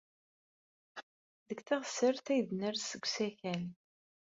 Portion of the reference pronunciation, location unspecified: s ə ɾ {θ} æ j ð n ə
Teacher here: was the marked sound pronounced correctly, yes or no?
yes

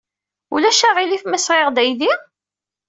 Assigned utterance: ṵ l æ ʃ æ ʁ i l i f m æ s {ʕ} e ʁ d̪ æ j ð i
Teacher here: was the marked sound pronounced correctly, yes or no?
no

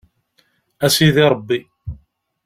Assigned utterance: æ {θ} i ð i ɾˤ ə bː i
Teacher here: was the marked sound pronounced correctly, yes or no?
no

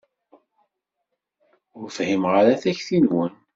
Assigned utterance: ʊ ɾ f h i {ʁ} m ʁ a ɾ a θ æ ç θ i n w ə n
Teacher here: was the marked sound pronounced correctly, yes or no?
no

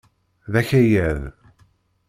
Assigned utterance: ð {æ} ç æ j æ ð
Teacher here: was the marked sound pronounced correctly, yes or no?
yes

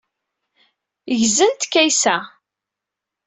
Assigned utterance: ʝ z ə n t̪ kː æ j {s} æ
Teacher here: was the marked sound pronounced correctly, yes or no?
yes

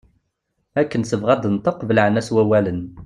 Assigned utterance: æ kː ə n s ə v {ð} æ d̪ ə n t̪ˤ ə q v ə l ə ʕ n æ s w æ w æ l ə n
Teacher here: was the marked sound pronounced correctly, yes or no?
no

